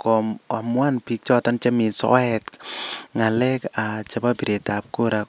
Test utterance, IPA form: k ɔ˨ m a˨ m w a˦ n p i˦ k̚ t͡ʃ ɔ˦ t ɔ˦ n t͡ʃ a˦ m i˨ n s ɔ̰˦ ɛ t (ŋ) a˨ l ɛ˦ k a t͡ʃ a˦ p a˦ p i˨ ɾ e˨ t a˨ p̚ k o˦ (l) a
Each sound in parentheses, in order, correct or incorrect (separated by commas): correct, incorrect